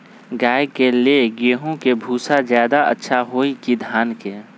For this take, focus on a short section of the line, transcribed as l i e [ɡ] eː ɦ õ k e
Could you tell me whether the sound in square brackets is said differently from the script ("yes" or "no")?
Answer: no